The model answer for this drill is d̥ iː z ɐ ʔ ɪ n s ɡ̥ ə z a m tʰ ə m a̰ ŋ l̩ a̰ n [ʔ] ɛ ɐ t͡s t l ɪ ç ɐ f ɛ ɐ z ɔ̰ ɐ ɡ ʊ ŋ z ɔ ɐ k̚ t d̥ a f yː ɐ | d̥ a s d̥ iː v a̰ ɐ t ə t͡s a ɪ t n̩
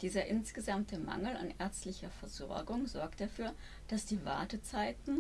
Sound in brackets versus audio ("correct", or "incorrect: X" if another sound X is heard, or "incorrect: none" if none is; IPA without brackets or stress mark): correct